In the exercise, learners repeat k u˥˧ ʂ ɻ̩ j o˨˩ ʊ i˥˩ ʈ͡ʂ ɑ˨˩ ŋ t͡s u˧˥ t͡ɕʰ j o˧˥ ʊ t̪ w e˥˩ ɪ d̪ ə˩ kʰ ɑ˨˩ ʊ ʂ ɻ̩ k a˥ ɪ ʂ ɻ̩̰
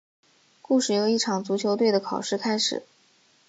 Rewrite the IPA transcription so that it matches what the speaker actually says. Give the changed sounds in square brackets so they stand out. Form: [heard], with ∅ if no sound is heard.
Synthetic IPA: k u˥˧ ʂ ɻ̩ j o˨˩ ʊ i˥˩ [ʈ͡ʂʰ] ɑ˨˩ ŋ t͡s u˧˥ t͡ɕʰ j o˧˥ ʊ t̪ w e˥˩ ɪ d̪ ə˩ kʰ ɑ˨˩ ʊ ʂ ɻ̩ [kʰ] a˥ ɪ ʂ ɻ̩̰